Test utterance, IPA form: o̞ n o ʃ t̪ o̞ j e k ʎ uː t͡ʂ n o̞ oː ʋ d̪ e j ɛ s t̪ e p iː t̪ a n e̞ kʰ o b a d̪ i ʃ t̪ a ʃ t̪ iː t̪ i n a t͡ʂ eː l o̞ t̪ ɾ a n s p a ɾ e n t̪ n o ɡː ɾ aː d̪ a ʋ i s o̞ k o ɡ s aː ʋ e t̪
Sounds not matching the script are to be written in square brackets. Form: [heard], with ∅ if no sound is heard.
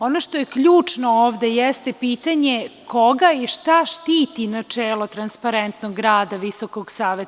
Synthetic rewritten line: o̞ n o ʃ t̪ o̞ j e k ʎ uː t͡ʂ n o̞ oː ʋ d̪ e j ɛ s t̪ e p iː t̪ a [ɲ] e̞ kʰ o [ɡ] a [∅] i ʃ t̪ a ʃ t̪ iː t̪ i n a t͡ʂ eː l o̞ t̪ ɾ a n s p a ɾ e n t̪ n o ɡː ɾ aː d̪ a ʋ i s o̞ k o ɡ s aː ʋ e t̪